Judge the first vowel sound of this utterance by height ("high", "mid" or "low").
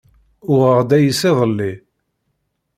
high